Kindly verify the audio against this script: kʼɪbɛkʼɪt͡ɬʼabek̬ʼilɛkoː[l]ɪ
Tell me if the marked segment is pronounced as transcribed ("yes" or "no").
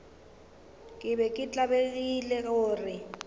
no